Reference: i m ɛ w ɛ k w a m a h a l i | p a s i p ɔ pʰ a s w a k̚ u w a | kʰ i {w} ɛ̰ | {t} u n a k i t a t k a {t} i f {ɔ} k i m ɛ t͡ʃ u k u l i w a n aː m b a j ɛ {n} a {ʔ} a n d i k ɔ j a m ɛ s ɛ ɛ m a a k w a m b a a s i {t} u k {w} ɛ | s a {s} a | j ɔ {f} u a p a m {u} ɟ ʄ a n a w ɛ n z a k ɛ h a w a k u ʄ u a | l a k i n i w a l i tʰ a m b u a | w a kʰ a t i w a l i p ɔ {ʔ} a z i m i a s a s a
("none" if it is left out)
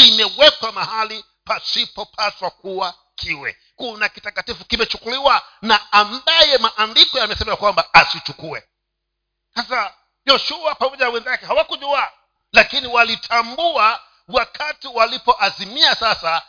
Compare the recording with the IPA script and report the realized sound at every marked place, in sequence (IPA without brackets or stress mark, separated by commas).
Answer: w, k, t, u, m, ʔ, t͡ʃ, u, s, ʃ, ɔ, ʔ